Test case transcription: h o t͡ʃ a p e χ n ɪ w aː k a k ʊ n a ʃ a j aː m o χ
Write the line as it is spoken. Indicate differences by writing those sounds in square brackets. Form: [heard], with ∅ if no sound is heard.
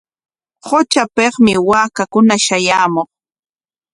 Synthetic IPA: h o t͡ʃ a p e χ [m] ɪ w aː k a k ʊ n a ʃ a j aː m o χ